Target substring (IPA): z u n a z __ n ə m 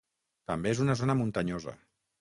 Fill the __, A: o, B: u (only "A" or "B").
A